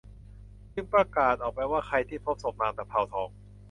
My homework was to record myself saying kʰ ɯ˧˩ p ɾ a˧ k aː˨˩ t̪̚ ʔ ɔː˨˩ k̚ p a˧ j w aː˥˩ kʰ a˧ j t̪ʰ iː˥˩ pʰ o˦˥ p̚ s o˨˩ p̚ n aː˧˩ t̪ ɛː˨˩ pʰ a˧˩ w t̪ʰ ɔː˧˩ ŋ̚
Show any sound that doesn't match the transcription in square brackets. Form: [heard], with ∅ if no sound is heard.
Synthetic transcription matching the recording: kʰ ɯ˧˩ p ɾ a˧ k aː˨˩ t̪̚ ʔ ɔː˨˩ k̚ p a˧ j w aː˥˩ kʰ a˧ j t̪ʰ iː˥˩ pʰ o˦˥ p̚ s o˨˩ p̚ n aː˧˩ t̪ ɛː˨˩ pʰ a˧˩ w t̪ʰ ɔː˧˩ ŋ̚